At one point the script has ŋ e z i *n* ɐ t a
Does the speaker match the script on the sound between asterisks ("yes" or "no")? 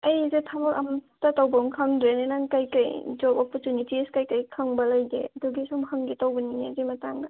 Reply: no